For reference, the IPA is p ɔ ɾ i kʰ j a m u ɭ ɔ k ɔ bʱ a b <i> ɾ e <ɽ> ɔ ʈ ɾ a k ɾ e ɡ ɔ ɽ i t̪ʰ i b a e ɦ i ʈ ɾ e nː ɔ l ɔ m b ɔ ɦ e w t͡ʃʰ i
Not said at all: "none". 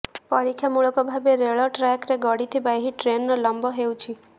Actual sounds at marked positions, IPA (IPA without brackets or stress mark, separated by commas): e, ɭ